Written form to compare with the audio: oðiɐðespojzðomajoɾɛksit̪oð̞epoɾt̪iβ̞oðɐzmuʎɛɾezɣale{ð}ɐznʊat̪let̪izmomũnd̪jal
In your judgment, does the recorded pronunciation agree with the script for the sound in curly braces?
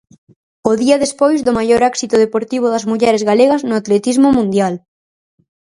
no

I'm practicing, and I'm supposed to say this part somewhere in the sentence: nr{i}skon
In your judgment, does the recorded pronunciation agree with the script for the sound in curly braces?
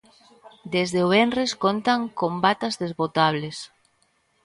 no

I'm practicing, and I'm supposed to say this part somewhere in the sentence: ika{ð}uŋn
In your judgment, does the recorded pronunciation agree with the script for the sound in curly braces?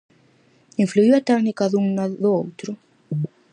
yes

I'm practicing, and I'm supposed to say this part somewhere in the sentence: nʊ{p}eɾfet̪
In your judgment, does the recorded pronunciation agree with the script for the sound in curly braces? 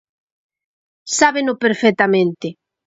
yes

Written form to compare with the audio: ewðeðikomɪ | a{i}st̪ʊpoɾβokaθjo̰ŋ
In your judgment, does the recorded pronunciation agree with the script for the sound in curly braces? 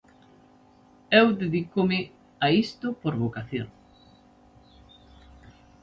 yes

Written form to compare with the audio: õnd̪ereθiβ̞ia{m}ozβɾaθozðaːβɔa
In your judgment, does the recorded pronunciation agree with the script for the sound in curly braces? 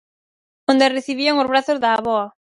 no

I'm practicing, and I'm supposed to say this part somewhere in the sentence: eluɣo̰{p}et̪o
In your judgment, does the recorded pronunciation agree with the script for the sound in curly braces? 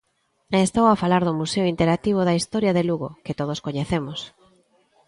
no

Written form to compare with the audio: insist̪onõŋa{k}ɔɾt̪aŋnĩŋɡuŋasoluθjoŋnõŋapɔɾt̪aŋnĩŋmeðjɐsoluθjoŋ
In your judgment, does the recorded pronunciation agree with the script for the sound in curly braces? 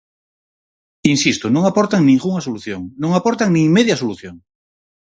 no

